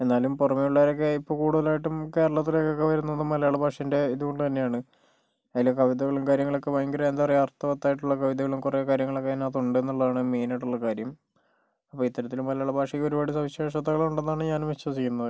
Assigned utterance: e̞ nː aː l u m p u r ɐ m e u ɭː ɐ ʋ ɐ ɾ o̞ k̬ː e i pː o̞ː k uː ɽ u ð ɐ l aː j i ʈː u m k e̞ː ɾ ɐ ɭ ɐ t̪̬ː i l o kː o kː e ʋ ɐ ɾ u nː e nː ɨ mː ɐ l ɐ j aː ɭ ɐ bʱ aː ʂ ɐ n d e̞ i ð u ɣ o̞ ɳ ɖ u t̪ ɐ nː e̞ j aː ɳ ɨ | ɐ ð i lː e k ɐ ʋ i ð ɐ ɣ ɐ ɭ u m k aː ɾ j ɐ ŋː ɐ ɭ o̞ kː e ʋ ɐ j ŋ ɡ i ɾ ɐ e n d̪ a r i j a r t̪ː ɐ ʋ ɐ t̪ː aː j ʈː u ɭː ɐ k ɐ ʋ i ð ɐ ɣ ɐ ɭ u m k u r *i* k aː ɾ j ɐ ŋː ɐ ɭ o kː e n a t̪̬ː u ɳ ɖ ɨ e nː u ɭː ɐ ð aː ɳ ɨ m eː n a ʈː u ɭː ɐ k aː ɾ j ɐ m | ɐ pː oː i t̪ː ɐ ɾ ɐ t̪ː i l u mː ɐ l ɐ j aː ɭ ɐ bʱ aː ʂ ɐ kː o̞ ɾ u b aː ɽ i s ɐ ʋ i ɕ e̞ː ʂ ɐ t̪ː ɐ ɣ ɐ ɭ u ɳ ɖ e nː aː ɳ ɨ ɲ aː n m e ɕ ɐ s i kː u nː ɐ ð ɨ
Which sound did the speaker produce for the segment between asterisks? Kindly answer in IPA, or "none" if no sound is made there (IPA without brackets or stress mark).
e